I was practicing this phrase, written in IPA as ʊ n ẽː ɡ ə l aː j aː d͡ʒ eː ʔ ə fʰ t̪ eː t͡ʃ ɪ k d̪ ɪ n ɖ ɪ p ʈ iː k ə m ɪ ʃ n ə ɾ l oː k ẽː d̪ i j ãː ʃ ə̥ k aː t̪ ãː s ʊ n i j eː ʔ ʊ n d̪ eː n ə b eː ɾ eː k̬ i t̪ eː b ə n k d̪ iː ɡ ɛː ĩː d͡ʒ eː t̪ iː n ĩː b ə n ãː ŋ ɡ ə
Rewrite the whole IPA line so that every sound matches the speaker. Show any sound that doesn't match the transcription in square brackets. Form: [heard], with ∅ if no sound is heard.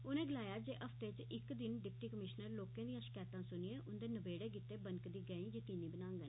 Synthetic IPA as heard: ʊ n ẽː ɡ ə l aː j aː d͡ʒ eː ʔ ə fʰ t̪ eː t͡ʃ ɪ k d̪ ɪ n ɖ ɪ p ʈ iː k ə m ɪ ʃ n ə ɾ l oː k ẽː d̪ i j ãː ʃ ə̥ k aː t̪ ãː s ʊ n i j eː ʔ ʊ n d̪ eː n ə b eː [ɽ] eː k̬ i t̪ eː b ə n k d̪ iː ɡ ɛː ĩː d͡ʒ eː t̪ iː n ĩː b ə n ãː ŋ ɡ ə